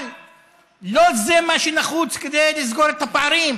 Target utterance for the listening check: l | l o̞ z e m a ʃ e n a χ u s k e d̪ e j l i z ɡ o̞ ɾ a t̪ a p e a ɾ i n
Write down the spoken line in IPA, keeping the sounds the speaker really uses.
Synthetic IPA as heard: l | l o̞ z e m a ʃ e n a χ u t͡s k e d̪ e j l i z ɡ o̞ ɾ e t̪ a p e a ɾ i m